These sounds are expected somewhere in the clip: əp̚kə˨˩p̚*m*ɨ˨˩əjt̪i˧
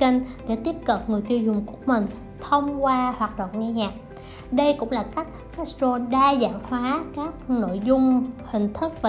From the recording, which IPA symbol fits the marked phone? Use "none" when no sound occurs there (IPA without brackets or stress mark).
ŋ